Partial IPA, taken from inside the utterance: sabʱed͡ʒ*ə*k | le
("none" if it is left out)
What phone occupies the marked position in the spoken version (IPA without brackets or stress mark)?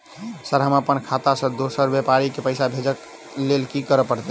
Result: ə